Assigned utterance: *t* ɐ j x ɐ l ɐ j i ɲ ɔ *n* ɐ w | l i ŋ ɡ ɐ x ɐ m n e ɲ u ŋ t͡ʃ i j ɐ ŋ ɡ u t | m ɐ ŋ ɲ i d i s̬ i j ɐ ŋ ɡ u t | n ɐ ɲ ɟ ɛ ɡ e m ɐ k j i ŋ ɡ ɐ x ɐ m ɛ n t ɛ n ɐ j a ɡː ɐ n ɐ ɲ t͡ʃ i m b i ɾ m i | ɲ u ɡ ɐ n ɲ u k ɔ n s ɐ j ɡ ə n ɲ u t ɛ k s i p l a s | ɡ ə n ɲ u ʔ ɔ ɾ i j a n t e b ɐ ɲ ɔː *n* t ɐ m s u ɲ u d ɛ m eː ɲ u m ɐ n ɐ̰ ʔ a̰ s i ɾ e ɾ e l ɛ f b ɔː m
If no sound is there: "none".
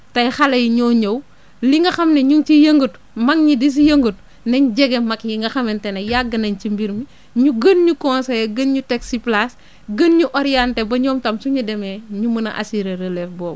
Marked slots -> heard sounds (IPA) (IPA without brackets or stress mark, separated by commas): t, ɲ, m